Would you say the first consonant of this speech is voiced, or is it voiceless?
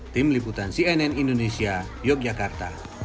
voiceless